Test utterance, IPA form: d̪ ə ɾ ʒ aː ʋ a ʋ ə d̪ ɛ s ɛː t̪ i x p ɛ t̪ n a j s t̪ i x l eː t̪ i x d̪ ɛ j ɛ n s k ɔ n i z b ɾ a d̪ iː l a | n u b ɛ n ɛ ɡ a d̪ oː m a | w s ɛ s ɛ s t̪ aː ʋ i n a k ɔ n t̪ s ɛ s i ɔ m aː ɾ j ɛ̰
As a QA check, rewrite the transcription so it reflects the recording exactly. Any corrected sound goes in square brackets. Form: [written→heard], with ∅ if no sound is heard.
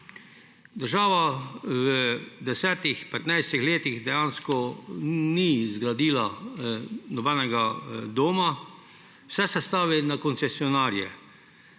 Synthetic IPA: d̪ ə ɾ ʒ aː ʋ a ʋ ə d̪ ɛ s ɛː t̪ i x p ɛ t̪ n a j s t̪ i x l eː t̪ i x d̪ ɛ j [ɛ→a] n s k ɔ n i z [b→ɡ] ɾ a d̪ iː l a | n [u→ɔ] b ɛ n ɛ ɡ a d̪ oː m a | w s ɛ s ɛ s t̪ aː ʋ i n a k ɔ n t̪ s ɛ s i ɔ [m→n] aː ɾ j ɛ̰